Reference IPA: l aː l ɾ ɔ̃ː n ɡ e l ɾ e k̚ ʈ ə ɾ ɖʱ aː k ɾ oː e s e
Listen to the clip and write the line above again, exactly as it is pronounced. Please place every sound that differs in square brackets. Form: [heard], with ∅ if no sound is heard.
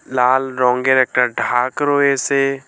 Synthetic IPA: l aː l ɾ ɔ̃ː [ŋ] ɡ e [∅] ɾ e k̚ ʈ ə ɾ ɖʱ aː k ɾ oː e s e